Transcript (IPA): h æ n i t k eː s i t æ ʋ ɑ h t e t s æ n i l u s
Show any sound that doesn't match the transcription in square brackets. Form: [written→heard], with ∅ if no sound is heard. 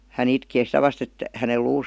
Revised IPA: h æ n i t k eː s i t æ ʋ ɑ [h→s] t e t [s→h] æ n [i→e] l [u→uː] s